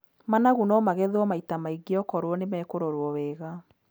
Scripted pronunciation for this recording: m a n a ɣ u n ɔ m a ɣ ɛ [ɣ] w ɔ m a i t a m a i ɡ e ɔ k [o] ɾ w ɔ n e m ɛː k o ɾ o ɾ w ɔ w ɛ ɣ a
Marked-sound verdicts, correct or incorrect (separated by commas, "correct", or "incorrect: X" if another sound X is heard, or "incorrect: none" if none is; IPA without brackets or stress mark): incorrect: ð, incorrect: ɔ